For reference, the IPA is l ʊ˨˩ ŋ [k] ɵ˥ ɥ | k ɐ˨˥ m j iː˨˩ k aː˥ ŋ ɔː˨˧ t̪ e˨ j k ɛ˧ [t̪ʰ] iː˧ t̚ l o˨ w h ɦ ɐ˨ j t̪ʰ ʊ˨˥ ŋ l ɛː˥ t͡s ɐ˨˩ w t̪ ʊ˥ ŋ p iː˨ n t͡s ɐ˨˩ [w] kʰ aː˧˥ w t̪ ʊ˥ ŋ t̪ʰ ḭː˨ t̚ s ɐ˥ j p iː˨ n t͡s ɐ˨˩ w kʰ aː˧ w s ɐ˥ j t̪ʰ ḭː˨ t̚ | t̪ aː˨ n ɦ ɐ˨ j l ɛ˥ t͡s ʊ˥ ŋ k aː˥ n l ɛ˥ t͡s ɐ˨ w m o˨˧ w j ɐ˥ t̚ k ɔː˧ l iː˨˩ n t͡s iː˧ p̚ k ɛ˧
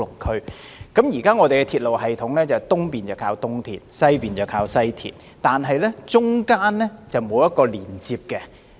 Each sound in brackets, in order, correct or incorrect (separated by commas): incorrect, correct, correct